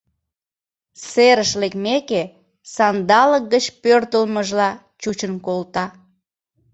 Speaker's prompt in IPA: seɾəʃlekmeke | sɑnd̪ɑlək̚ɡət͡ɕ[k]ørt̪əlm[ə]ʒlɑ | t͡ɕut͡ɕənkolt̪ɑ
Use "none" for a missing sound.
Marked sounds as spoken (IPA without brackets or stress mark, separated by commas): p, ə